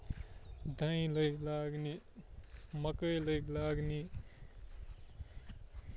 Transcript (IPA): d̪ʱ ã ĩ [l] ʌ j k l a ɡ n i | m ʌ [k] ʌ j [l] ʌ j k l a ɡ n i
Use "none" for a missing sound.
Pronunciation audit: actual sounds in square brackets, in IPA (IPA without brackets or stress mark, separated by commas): l, k, l